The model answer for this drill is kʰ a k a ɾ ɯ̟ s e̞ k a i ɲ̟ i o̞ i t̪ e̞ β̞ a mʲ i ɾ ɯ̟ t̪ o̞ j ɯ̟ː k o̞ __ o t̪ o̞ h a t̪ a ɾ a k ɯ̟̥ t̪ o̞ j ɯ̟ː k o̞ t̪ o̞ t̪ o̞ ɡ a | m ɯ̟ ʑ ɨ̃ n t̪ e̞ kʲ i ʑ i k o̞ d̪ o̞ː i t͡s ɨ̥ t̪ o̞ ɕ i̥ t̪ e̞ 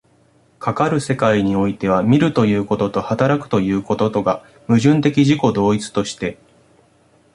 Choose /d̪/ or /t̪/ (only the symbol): t̪